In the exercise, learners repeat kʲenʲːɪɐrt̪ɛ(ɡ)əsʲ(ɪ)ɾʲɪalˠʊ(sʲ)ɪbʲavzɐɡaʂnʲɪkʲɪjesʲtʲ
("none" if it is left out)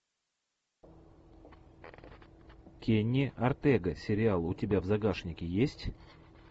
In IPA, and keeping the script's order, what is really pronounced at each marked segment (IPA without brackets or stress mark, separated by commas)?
ɡ, ɪ, tʲ